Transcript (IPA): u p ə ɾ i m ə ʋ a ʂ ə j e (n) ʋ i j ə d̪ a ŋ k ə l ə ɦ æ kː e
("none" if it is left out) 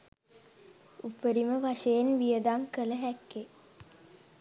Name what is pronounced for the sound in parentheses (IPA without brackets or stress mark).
n